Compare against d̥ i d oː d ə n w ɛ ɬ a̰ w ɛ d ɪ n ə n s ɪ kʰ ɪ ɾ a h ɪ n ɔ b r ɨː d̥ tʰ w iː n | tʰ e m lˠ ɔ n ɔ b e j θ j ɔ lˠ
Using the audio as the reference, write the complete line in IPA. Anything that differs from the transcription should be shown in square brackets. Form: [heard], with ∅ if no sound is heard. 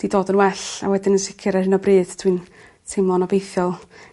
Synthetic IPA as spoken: d̥ i d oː d ə n w ɛ ɬ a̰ w ɛ d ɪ n ə n s ɪ kʰ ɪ ɾ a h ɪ n ɔ b r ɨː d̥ tʰ w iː n | tʰ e m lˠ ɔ n ɔ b e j θ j ɔ lˠ